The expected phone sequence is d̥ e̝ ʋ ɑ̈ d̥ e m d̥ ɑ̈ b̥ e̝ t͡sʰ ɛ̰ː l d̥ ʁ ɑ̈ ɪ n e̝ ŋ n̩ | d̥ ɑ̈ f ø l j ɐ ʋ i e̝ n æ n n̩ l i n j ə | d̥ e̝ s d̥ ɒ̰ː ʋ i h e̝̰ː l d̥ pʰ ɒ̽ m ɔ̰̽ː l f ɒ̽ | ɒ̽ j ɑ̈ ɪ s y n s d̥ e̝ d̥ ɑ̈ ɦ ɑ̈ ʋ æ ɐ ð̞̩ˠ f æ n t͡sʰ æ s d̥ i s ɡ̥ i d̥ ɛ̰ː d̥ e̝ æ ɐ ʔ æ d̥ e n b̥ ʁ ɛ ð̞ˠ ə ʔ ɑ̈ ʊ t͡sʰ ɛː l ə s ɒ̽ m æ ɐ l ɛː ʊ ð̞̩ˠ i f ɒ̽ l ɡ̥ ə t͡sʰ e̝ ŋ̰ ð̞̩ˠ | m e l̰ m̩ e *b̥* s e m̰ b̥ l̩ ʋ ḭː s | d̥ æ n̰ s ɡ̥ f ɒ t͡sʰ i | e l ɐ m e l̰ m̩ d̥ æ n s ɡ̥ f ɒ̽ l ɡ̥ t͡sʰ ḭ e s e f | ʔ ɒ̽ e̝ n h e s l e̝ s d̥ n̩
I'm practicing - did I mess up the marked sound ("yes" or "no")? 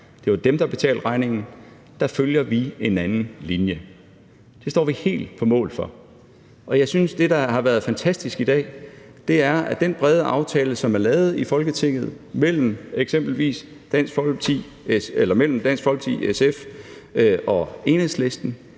yes